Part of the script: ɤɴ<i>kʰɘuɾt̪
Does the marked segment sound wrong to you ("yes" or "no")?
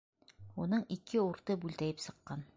no